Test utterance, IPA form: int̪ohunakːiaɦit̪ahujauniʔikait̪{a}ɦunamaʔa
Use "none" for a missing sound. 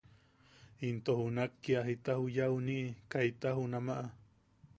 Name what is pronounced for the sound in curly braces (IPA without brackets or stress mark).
a